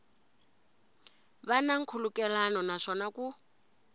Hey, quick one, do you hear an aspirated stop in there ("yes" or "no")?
yes